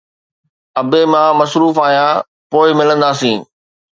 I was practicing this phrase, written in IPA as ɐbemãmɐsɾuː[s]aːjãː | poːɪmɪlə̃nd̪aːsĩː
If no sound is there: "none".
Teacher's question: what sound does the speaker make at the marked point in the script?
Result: f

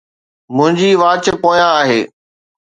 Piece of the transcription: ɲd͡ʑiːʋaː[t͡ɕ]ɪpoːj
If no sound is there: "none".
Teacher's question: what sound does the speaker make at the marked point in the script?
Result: t͡ɕ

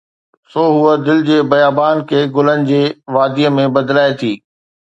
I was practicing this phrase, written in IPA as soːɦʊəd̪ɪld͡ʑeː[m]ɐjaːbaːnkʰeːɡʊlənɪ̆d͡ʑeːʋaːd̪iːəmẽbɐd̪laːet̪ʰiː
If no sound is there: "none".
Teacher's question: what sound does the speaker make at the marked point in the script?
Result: b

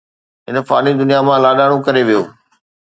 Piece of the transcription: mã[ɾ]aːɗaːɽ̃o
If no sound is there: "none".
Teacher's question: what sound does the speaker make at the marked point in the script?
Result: l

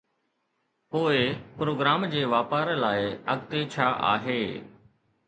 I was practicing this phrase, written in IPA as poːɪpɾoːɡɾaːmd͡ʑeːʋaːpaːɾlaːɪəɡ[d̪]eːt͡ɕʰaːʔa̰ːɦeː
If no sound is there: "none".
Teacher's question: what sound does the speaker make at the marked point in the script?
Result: t̪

